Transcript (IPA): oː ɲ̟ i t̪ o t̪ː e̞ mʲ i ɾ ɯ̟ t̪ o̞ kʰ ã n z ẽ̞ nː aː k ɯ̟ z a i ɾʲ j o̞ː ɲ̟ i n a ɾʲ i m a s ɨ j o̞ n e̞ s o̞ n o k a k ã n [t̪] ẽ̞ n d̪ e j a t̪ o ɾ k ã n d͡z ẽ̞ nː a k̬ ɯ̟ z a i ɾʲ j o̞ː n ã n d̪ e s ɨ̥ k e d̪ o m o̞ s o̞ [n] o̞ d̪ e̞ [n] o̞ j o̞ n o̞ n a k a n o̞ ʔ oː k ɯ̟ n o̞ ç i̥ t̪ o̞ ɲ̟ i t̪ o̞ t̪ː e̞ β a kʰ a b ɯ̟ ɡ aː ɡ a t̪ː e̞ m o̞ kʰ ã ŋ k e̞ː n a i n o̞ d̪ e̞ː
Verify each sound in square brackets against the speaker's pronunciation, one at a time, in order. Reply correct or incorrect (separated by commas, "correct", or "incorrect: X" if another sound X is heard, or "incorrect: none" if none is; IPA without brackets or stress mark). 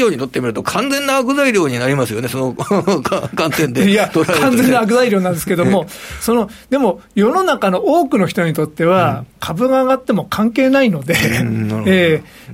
correct, correct, incorrect: m